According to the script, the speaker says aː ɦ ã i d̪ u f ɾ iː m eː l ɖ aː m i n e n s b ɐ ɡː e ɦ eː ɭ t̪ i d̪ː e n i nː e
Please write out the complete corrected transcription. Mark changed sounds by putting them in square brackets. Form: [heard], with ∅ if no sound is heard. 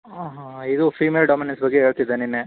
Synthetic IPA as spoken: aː ɦ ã i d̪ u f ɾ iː m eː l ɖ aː m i n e n s b ɐ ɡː e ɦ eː ɭ t̪ i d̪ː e n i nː e